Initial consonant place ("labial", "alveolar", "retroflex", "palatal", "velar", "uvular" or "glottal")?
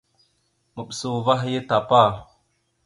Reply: labial